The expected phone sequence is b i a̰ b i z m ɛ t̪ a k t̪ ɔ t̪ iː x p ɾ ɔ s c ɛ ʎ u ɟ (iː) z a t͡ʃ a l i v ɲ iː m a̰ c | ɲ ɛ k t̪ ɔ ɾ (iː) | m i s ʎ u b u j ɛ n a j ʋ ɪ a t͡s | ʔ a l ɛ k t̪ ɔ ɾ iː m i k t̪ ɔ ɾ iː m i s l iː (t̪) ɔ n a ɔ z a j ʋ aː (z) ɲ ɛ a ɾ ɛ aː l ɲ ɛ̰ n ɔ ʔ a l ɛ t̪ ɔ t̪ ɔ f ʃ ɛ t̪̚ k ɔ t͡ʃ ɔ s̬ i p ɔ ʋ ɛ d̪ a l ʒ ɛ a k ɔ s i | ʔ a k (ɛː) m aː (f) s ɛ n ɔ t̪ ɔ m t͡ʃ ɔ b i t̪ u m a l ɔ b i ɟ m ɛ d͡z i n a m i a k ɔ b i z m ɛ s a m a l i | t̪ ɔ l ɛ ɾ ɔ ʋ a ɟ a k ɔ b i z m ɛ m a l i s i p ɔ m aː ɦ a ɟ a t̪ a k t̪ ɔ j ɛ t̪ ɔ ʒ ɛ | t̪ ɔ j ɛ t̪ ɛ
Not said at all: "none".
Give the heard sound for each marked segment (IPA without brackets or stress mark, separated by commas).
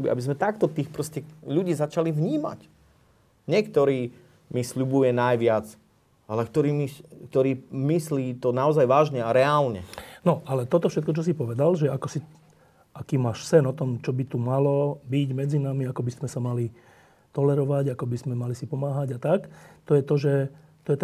iː, iː, t̪, ʒ, iː, ʃ